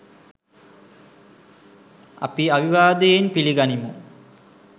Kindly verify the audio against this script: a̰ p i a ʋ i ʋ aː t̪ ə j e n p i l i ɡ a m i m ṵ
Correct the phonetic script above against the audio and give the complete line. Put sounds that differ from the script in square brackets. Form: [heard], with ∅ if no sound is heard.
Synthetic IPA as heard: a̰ p i a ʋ i ʋ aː [d̪] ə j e n p i l i ɡ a [n] i m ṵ